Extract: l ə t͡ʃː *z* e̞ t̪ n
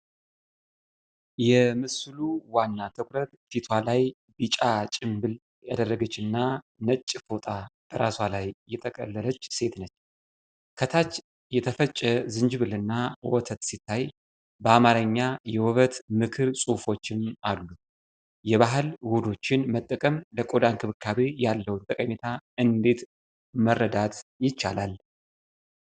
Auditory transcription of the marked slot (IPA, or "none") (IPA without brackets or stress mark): s